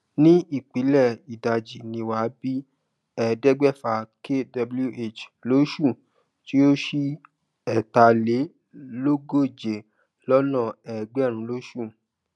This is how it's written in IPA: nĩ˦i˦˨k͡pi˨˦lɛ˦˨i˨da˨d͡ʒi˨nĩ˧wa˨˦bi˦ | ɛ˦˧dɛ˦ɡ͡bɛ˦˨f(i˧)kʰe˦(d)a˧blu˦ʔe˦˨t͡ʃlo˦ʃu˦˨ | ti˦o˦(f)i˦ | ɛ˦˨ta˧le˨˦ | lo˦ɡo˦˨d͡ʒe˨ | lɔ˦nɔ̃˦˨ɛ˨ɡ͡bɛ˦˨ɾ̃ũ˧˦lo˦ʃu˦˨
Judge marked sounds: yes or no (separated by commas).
no, yes, no